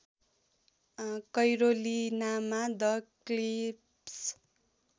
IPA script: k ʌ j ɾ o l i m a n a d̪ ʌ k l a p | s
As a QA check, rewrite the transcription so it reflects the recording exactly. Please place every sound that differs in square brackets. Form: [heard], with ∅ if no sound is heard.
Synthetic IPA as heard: k ʌ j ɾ o l i [n] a [m] a d̪ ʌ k l [i] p | s